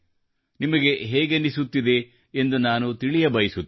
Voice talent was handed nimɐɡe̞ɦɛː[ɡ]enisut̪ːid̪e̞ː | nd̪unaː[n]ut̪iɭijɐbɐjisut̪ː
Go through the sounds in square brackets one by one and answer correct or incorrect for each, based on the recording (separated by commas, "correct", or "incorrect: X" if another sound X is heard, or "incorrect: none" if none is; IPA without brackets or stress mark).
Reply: correct, correct